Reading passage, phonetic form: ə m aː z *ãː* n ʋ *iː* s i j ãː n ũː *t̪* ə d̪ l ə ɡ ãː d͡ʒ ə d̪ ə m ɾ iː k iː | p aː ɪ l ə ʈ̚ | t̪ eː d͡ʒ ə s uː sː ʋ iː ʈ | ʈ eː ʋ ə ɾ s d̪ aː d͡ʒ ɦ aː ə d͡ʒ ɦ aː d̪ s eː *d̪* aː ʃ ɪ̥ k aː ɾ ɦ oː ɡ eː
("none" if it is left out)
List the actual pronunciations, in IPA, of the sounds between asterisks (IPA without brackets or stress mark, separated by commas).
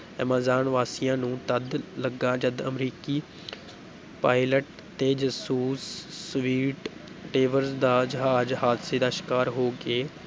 aː, aː, t̪, d̪